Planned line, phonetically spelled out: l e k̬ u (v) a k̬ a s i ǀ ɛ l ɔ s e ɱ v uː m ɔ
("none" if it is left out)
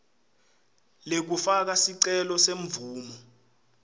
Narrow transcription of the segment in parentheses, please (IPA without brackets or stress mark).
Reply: f